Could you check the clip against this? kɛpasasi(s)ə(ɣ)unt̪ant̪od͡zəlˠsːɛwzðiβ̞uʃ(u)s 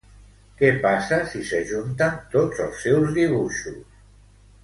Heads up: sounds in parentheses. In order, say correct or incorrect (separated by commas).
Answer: correct, incorrect, correct